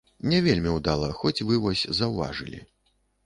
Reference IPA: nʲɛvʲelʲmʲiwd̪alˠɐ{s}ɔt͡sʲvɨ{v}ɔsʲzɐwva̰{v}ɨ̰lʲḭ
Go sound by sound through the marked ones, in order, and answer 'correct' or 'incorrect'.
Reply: incorrect: x, correct, incorrect: ʐ

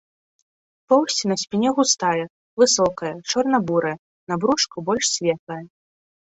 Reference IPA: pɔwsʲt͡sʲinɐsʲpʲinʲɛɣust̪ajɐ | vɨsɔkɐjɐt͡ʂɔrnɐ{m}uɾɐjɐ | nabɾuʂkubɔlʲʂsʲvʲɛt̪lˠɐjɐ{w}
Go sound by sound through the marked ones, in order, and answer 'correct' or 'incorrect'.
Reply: incorrect: b, incorrect: none

